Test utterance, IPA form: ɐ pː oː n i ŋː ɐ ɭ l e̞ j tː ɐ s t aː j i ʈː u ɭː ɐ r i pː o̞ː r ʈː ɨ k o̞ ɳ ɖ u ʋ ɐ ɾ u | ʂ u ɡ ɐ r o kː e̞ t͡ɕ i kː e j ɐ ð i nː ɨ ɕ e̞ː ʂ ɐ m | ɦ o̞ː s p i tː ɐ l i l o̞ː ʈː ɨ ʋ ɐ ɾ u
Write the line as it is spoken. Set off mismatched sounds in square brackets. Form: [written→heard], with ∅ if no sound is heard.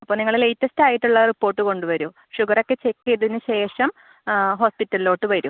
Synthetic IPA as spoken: ɐ pː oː n i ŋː ɐ ɭ l e̞ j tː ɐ s t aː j i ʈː u ɭː ɐ r i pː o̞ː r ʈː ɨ k o̞ ɳ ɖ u ʋ ɐ ɾ u | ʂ u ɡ ɐ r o kː e̞ t͡ɕ [i→e] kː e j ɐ ð i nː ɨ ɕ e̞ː ʂ ɐ m | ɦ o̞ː s p i tː ɐ l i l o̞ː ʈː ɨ ʋ ɐ ɾ u